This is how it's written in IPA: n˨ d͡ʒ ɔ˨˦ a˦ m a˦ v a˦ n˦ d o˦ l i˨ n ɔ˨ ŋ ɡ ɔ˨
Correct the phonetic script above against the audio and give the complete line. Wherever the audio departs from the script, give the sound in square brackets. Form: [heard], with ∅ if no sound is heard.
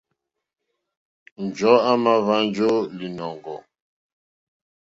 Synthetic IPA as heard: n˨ d͡ʒ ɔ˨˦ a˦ m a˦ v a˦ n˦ [d͡ʒ] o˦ l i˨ n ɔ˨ ŋ ɡ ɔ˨